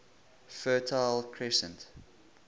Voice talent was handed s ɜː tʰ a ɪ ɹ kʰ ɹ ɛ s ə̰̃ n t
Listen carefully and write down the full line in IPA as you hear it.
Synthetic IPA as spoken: f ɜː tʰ a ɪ l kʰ ɹ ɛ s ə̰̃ n t